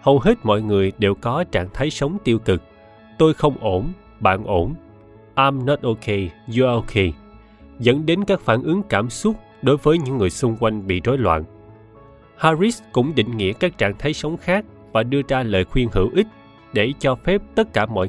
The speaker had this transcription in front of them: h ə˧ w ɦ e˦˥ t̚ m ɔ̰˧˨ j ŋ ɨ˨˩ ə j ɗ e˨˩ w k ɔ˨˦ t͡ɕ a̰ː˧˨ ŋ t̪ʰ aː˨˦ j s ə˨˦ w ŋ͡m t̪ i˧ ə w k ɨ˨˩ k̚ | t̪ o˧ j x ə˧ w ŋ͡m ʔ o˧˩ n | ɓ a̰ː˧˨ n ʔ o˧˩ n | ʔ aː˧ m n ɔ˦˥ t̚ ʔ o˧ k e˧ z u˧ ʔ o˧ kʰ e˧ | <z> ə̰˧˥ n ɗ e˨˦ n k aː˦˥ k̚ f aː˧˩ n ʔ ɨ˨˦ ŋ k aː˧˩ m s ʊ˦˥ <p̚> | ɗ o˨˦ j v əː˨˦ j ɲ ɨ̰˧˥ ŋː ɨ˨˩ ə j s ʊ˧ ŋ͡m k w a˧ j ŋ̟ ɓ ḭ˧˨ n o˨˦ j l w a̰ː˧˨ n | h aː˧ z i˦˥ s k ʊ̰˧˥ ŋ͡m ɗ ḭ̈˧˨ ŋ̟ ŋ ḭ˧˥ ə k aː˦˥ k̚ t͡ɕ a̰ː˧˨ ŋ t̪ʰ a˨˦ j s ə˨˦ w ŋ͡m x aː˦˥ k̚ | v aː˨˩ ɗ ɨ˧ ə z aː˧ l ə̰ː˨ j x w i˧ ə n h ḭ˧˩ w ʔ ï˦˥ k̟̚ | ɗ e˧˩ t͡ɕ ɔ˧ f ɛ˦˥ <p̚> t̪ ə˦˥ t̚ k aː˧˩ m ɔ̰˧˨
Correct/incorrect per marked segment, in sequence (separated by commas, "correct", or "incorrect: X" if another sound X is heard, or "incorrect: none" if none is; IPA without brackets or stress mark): correct, incorrect: t̚, correct